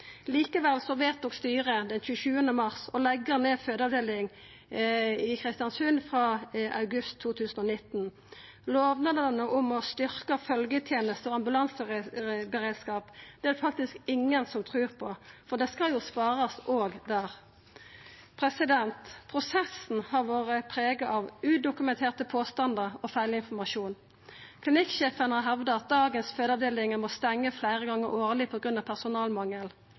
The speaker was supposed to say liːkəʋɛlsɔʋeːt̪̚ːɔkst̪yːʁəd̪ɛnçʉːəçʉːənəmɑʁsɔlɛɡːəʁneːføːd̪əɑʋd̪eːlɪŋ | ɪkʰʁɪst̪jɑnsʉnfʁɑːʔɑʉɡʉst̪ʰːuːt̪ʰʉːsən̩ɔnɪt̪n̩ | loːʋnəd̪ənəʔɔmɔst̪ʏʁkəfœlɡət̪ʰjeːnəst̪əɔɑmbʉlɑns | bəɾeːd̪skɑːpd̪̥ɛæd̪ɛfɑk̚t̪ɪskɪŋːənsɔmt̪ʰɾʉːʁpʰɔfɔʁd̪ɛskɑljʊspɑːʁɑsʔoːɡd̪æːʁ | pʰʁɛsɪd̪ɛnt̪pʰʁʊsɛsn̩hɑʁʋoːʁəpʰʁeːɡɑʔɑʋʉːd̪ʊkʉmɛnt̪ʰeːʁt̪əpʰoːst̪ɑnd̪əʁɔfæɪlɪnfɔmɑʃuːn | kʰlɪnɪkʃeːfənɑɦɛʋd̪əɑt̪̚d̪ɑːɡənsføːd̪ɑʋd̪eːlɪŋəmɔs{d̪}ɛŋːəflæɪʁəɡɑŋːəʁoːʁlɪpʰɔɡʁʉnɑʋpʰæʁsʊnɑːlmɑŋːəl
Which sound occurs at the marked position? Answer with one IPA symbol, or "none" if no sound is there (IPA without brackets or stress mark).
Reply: t̪